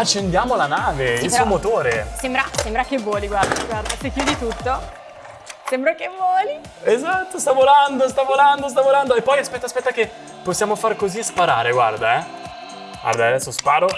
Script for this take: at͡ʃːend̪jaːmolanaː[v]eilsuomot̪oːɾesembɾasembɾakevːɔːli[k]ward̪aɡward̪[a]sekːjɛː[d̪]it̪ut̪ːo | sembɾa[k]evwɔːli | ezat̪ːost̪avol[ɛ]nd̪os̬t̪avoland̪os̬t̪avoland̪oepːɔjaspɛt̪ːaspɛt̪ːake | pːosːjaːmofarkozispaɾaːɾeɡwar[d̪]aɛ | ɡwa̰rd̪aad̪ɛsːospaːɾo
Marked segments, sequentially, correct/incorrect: correct, incorrect, correct, correct, correct, incorrect, correct

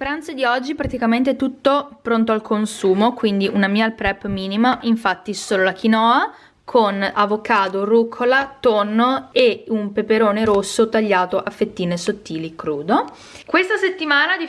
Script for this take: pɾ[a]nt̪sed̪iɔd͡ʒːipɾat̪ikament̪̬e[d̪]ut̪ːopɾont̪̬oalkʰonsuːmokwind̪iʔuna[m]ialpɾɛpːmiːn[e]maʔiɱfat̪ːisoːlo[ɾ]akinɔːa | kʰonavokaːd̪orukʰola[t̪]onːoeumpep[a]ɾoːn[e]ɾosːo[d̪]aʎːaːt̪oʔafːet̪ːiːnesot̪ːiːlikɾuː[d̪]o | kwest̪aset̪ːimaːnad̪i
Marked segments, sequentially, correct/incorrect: correct, incorrect, correct, incorrect, incorrect, correct, incorrect, correct, incorrect, correct

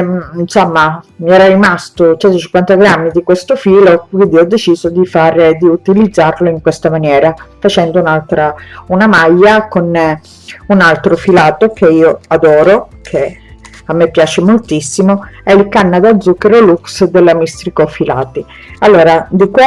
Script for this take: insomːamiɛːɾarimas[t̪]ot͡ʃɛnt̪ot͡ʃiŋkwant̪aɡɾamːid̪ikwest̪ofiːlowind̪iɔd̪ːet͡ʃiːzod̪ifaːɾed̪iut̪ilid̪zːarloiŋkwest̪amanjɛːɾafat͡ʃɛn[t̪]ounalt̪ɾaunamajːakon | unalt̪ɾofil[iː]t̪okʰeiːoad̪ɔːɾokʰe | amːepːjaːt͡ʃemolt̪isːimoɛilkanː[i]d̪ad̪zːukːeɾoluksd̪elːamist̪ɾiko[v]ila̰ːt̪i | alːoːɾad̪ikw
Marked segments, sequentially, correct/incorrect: correct, incorrect, incorrect, incorrect, incorrect

